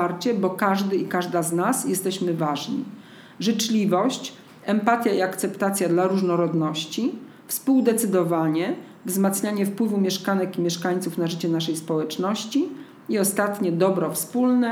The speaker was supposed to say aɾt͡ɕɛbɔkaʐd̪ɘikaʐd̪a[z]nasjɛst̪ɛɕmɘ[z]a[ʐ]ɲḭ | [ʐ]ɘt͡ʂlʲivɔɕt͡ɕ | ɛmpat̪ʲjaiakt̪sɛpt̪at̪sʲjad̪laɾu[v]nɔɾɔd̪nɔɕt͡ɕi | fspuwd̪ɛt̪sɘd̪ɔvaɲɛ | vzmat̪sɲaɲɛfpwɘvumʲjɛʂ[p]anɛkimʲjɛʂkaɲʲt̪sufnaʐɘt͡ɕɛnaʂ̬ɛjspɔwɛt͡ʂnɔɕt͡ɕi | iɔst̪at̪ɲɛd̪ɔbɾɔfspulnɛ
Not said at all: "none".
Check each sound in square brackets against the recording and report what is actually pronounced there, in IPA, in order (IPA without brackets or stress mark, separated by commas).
z, v, ʐ, ʐ, ʐ, k